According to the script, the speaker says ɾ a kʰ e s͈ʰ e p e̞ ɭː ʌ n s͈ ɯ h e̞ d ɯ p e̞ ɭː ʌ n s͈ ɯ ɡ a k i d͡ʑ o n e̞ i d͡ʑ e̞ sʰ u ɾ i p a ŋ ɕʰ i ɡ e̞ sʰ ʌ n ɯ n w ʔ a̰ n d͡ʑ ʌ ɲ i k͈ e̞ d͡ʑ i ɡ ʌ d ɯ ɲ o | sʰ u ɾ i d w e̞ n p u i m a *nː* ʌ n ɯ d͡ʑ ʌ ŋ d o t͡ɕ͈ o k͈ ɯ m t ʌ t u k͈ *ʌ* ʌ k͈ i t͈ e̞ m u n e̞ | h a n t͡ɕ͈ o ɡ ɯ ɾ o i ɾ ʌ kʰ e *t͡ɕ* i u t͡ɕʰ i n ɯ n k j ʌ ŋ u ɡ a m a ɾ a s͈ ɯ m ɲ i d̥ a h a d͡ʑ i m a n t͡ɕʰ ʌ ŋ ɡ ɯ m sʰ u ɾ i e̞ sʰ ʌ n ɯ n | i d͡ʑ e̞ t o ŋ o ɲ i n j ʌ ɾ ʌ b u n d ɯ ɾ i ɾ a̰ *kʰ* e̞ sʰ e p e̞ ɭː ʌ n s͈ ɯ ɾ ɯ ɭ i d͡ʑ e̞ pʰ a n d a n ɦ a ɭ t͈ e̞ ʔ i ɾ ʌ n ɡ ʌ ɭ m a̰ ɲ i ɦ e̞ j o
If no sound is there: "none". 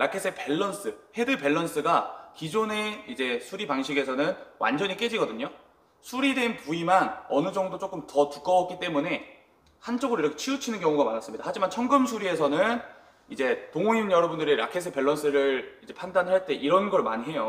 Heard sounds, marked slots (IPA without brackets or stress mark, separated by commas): n, ʌ, t͡ɕʰ, kʰ